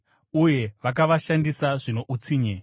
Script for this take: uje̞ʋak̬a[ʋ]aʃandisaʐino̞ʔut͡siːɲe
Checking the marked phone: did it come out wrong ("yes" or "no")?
no